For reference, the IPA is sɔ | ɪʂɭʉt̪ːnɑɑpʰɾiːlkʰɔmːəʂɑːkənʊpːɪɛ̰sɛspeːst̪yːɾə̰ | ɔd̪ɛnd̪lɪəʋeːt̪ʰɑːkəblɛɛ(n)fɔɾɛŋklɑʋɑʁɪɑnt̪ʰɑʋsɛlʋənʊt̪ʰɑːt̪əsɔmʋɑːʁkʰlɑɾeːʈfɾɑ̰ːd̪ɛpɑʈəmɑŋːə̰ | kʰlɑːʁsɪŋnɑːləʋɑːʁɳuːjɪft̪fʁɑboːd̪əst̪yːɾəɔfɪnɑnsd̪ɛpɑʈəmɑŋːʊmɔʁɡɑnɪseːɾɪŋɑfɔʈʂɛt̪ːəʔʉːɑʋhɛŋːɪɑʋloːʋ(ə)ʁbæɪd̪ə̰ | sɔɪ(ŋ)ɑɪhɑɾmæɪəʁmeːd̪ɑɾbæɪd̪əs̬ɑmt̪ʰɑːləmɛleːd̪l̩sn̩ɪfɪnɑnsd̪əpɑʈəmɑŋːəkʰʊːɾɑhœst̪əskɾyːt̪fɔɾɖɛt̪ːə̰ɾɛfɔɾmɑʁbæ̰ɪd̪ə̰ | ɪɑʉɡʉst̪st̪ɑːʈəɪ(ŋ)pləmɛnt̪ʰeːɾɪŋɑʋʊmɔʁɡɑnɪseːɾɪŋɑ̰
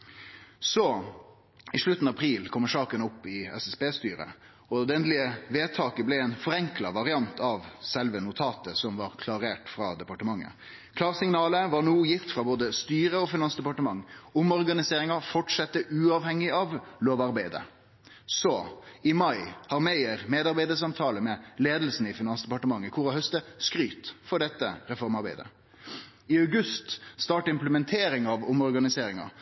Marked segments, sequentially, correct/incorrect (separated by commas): correct, incorrect, incorrect, incorrect